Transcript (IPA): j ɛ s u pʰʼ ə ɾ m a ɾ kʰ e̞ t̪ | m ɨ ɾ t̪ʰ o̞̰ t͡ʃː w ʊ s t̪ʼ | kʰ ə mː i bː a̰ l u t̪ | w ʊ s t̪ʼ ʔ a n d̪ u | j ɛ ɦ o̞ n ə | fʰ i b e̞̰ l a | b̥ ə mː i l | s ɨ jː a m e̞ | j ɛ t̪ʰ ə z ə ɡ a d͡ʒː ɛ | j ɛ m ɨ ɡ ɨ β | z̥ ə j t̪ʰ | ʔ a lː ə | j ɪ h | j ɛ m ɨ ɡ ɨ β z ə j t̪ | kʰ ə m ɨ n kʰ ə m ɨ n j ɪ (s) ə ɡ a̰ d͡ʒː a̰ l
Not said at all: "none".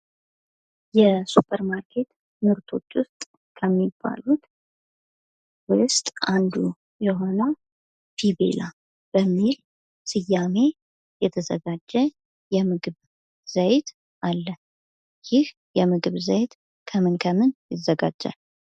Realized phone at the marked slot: z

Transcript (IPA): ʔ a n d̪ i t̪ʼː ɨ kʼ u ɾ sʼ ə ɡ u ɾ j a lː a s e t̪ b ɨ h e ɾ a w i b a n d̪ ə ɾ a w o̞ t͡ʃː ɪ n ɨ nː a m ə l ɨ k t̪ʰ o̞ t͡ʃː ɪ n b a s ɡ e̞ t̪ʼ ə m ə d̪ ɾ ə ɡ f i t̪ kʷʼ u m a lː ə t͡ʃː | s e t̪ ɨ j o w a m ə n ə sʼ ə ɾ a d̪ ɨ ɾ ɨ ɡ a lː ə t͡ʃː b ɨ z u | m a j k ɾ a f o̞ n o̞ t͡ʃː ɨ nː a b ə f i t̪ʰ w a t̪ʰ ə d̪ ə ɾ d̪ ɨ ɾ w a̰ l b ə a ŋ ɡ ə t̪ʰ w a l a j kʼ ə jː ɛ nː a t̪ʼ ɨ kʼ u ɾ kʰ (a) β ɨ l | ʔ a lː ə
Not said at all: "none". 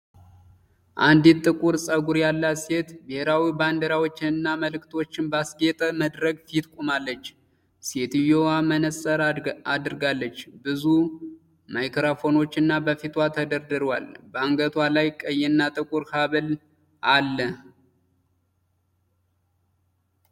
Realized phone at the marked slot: a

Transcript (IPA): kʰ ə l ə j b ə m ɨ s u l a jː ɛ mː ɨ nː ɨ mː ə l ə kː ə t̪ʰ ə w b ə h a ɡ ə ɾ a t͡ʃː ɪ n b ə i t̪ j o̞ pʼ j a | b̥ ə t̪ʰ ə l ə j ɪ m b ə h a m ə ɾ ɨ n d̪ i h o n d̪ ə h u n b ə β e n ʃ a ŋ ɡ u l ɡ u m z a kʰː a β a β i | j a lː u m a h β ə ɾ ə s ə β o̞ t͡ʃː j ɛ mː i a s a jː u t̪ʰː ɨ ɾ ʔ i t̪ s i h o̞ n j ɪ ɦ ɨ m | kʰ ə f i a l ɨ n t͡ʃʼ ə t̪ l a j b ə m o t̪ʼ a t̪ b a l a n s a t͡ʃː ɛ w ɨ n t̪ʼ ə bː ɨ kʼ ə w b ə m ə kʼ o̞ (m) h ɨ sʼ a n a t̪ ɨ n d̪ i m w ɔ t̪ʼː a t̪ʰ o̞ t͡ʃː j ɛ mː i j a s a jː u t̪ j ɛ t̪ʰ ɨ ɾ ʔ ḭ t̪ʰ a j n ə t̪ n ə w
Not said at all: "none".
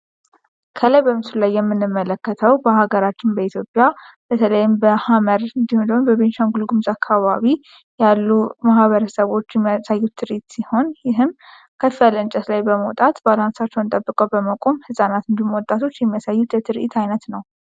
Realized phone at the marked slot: m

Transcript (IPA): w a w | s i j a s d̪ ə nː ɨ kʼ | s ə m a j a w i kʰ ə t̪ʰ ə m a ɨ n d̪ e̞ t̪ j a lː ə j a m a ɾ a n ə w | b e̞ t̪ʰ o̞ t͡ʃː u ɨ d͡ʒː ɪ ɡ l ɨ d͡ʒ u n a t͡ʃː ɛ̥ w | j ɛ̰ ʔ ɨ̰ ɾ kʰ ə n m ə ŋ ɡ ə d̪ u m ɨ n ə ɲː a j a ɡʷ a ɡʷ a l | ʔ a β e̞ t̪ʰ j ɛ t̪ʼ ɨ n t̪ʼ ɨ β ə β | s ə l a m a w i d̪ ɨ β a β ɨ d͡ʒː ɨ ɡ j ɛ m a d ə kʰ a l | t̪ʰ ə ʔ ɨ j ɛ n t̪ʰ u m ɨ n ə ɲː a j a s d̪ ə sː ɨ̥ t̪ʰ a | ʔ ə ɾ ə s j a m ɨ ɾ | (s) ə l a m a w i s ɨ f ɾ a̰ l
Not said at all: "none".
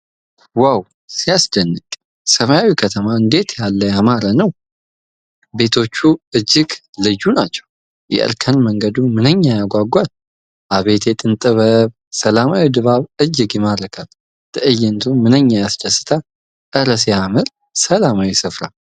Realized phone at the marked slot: s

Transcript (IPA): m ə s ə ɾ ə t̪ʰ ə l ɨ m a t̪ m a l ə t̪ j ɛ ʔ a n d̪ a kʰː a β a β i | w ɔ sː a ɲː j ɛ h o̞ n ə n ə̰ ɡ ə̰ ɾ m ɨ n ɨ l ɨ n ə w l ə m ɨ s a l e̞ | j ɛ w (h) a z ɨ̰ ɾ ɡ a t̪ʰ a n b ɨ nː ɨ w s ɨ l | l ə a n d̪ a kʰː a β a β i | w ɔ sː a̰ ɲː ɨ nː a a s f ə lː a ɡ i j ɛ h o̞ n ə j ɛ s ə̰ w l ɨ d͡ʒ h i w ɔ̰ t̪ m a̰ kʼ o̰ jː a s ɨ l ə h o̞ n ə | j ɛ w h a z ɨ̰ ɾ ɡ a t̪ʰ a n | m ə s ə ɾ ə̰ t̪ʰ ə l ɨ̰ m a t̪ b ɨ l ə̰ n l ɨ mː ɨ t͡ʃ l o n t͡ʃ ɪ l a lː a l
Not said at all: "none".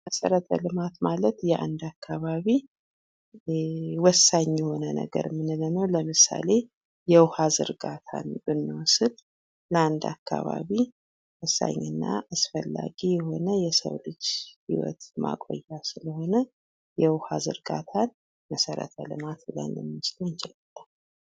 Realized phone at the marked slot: h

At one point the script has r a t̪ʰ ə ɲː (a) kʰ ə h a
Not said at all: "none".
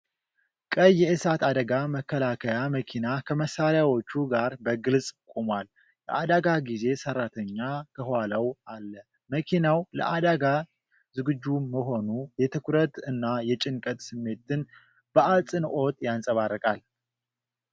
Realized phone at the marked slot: a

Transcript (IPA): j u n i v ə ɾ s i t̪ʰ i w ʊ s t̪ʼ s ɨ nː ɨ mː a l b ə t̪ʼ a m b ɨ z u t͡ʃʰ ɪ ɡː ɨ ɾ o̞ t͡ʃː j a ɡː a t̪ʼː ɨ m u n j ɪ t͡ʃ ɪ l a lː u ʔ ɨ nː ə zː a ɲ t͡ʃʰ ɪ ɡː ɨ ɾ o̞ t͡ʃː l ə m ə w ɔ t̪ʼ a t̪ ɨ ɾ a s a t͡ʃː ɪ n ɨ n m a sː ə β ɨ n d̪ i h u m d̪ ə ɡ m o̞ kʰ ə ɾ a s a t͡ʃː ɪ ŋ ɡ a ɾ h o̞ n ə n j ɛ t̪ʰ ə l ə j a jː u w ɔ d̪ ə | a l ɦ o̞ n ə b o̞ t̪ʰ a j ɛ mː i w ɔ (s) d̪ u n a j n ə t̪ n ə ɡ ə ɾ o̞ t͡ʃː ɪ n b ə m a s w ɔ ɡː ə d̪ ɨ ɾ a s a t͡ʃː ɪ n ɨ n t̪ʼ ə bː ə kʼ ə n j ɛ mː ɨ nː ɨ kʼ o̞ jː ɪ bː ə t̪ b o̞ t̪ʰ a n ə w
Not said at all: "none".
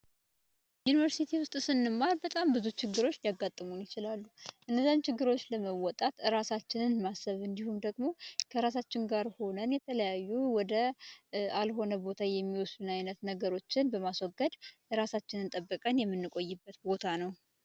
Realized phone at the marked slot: s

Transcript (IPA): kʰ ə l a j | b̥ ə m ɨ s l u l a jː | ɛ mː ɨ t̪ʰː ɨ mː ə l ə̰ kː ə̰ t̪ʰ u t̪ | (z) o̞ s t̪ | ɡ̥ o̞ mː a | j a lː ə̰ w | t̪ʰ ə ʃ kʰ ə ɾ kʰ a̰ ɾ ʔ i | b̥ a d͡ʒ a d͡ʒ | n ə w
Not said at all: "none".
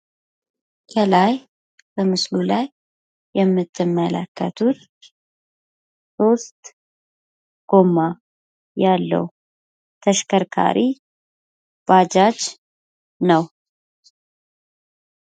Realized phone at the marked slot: s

